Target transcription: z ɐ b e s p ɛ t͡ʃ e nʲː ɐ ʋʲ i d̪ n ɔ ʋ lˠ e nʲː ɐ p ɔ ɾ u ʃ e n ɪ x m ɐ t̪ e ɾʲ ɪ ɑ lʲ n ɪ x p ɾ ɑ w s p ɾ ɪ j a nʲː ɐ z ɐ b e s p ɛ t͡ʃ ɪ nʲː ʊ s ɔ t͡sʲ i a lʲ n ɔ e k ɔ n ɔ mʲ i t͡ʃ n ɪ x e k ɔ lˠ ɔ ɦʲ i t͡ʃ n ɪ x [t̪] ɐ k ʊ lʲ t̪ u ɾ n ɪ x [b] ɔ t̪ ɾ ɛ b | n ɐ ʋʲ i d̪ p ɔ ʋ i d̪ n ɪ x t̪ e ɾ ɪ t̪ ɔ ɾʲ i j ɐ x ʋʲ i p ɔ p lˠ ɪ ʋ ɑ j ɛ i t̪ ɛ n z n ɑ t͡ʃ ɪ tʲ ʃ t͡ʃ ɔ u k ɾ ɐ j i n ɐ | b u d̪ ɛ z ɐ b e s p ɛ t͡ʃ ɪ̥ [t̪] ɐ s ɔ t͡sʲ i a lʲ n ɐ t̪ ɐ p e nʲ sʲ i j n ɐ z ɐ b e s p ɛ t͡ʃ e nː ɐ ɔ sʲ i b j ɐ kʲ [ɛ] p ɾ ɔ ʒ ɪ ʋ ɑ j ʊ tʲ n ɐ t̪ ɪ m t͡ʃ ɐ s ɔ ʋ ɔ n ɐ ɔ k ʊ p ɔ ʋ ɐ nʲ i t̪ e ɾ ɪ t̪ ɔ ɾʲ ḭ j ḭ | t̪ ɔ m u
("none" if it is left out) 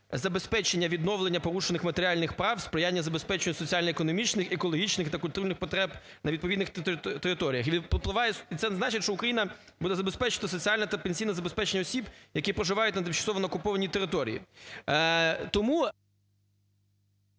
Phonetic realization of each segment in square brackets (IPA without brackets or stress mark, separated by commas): t̪, p, t̪, i